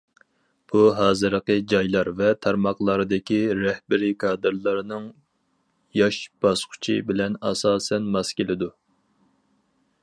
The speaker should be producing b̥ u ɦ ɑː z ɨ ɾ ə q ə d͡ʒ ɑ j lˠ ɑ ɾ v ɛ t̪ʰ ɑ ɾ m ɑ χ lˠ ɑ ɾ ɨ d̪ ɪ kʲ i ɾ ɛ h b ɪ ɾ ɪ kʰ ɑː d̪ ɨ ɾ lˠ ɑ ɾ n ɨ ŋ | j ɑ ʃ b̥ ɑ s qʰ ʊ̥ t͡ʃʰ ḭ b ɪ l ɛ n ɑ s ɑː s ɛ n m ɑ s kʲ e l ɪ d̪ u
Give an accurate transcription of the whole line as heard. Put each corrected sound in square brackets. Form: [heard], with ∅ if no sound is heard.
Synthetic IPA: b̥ u ɦ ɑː z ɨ ɾ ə q ə d͡ʒ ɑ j lˠ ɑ ɾ v ɛ t̪ʰ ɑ ɾ m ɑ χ lˠ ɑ ɾ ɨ d̪ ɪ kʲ i ɾ ɛ h b ɪ ɾ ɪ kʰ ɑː d̪ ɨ ɾ lˠ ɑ ɾ n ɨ ŋ | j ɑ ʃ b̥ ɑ s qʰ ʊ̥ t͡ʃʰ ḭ b ɪ l ɛ n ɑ s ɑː s ɛ n m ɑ s kʲ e l ɪ d̪ u